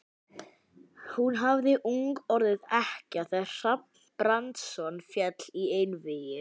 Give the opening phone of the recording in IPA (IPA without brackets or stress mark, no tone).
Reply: h